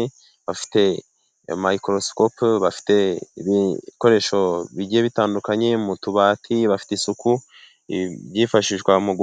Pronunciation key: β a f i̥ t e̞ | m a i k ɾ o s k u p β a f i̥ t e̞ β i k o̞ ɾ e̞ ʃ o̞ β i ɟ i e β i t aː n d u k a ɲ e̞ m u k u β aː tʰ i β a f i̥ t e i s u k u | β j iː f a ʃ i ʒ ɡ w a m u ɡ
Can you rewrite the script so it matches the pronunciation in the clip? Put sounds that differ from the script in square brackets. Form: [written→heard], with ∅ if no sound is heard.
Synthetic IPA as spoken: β a f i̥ t e̞ | m a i k ɾ o s k [u→o] p β a f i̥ t e̞ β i k o̞ ɾ e̞ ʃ o̞ β i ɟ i e β i t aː n d u k a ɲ e̞ m u [k→t] u β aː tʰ i β a f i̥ t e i s u k u | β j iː f a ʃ i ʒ ɡ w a m u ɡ